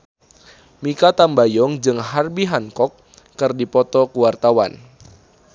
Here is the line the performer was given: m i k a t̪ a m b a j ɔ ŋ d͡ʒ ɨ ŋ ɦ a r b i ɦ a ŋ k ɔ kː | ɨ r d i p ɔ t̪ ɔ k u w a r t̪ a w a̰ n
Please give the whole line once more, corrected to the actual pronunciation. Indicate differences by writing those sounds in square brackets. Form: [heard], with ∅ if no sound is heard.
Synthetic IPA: m i k a t̪ a m b a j ɔ ŋ d͡ʒ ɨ ŋ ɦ a r b i ɦ a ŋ k ɔ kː | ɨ r d i p ɔ t̪ ɔ k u w a r t̪ a w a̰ n